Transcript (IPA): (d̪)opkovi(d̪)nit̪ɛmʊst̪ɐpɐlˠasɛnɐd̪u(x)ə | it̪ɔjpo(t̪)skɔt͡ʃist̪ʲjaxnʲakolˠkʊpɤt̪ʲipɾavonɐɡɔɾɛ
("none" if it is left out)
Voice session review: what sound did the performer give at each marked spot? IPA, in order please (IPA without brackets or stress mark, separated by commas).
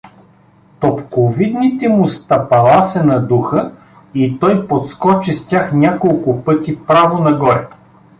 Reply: t̪, d̪, x, t̪